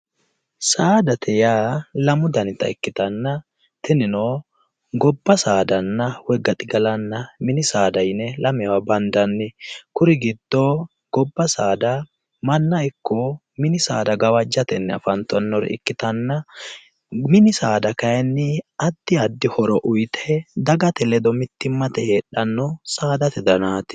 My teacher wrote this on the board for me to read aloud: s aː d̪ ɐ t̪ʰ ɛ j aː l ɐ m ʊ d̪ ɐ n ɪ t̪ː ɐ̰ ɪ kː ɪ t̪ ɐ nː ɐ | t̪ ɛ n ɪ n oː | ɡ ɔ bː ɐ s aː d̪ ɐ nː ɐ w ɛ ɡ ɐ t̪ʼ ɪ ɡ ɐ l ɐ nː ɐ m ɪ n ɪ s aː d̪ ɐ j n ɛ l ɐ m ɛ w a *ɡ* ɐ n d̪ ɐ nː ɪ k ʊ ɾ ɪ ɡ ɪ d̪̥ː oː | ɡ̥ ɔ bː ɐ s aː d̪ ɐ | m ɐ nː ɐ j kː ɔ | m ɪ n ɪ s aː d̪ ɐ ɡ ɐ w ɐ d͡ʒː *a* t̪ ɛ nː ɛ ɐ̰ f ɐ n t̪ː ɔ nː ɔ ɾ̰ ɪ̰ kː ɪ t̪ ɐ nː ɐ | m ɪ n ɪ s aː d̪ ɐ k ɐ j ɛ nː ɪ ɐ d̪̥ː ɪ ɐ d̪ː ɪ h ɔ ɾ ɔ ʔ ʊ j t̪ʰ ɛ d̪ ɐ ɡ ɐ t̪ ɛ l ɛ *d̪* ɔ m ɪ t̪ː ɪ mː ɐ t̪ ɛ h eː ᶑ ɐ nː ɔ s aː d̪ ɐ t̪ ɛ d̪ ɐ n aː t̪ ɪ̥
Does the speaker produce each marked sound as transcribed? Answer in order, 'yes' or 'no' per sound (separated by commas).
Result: no, no, yes